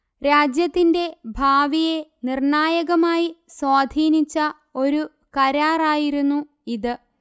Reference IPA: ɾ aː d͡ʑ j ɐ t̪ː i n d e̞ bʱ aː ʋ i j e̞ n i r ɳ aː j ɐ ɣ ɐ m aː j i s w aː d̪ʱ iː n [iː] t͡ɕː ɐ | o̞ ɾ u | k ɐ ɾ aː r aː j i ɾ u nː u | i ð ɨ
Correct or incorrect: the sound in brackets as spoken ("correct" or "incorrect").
incorrect